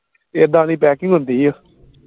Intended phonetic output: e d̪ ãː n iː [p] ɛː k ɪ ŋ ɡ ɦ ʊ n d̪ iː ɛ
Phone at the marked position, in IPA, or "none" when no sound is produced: p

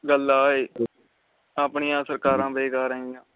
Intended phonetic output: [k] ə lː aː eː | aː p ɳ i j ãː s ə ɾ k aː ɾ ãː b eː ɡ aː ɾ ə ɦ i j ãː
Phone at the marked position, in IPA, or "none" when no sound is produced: ɡ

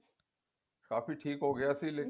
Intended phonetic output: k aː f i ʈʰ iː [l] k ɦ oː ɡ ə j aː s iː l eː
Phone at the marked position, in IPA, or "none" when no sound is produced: none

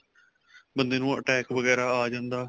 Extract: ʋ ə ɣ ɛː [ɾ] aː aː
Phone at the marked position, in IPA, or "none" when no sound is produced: ɾ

